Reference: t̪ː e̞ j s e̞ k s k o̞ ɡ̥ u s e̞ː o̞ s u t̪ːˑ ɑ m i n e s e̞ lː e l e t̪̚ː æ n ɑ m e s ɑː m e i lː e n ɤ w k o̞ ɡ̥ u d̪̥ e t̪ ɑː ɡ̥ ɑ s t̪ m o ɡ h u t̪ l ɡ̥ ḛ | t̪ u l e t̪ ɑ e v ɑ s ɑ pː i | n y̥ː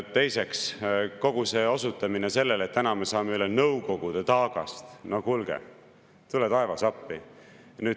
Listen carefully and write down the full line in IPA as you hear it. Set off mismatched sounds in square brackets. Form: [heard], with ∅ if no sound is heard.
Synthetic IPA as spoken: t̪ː e̞ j s e̞ k s k o̞ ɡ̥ u s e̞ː o̞ s u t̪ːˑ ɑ m i n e s e̞ lː e l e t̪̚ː æ n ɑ m e s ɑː m e [y] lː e n ɤ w k o̞ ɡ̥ u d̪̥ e t̪ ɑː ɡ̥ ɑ s t̪ [n] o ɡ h u [∅] l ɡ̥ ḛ | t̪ u l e t̪ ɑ e v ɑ s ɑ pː i | n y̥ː